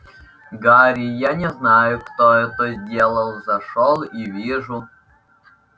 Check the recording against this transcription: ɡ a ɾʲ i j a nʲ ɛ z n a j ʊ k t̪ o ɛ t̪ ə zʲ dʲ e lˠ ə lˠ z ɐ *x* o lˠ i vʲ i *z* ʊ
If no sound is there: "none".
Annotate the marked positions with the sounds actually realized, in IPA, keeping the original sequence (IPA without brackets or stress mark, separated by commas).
ʂ, ʐ